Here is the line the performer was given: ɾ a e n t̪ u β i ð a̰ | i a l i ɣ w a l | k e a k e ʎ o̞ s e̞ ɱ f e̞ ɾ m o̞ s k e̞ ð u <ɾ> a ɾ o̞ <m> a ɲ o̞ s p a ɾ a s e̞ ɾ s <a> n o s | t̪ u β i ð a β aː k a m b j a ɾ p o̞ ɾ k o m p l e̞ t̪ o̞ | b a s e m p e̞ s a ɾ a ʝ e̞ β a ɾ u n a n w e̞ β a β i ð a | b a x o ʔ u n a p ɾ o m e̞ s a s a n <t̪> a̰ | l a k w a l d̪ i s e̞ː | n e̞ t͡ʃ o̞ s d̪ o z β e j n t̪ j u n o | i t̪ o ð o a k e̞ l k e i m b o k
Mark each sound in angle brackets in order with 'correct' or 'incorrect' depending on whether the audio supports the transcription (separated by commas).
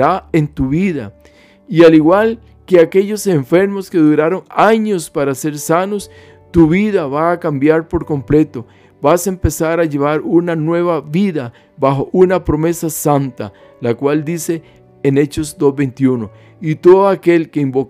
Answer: correct, incorrect, correct, correct